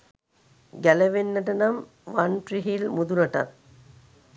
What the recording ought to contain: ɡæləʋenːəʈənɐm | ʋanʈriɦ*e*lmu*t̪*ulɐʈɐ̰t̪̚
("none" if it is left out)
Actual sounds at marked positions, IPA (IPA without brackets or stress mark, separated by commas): i, d̪